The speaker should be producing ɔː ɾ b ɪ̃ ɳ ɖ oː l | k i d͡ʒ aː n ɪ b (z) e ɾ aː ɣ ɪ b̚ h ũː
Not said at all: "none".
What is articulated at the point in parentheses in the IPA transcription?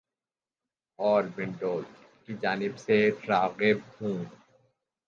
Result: s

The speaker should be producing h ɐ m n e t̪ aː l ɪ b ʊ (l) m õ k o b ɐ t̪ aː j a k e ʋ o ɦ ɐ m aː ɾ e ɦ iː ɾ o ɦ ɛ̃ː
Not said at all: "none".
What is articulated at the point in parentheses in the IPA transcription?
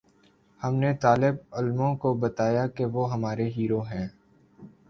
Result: l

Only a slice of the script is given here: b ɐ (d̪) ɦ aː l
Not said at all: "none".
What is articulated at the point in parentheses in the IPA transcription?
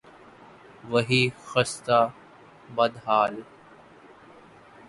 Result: d̪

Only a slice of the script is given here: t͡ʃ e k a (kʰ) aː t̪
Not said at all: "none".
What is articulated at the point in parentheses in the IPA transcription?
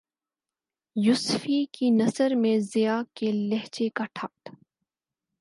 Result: ʈʰ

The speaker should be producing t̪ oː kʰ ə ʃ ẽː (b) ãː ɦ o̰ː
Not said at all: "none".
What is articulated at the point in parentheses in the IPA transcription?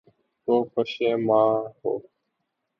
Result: m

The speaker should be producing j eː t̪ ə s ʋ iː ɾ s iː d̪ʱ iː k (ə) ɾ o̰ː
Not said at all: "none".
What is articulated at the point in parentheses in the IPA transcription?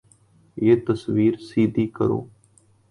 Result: ə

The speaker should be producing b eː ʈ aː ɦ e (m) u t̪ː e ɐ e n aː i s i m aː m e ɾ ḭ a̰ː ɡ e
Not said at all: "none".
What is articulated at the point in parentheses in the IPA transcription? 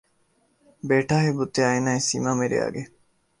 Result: b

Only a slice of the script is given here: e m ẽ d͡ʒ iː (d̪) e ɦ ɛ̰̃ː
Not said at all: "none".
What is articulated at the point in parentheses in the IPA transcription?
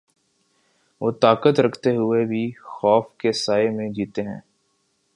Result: t̪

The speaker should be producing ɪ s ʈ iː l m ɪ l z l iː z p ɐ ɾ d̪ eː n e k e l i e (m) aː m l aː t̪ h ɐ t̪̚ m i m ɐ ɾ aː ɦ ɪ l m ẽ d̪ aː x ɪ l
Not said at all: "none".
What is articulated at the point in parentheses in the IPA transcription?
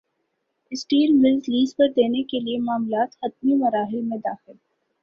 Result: m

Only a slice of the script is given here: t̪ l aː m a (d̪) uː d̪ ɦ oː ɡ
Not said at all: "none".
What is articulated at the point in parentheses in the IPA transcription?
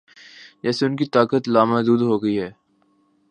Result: d̪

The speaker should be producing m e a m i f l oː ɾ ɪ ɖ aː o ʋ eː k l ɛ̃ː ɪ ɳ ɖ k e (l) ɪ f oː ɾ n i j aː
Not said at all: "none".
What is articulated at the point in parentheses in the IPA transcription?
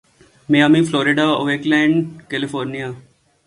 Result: l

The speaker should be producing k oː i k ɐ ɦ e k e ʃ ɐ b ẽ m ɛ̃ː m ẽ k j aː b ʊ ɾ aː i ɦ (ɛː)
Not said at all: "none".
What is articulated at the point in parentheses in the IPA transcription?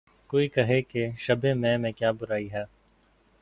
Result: ɛː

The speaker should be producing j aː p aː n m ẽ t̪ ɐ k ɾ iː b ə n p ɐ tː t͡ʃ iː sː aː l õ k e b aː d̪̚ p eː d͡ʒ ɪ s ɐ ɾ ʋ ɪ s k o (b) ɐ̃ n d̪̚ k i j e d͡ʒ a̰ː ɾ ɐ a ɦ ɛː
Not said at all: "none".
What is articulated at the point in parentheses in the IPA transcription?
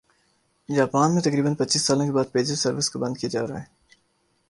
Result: b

